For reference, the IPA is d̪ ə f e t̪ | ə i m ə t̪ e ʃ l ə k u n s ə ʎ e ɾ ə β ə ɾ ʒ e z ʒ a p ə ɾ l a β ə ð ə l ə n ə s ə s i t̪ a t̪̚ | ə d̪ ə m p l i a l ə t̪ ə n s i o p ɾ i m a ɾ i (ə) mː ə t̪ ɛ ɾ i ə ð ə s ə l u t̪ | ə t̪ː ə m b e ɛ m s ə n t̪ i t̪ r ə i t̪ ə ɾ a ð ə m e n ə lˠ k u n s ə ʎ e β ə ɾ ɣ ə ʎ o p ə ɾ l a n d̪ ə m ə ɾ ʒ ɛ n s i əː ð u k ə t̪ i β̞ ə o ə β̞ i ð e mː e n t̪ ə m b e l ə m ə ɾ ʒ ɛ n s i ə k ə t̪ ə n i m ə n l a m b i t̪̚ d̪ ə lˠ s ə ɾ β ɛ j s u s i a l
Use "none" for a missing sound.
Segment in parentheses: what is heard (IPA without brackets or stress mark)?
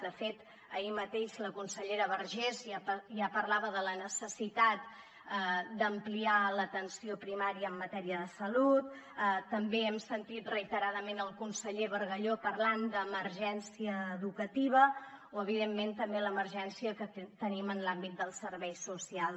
əː